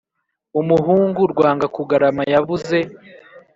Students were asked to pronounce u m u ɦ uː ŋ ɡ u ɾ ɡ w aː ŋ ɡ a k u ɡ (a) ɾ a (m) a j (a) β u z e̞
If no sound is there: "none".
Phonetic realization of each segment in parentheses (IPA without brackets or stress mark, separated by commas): a, m, a